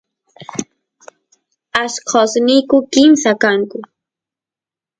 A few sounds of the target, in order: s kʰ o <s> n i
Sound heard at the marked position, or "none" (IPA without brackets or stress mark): s